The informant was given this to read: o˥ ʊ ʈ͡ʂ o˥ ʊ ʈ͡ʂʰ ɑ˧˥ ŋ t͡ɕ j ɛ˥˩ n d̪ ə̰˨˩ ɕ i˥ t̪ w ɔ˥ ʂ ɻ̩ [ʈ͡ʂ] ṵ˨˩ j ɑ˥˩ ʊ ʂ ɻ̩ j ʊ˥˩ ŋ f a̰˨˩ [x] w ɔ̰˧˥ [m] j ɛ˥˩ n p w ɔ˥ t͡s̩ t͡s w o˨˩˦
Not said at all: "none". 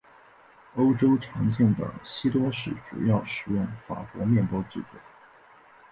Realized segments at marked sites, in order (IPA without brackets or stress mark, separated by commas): ʈ͡ʂ, k, m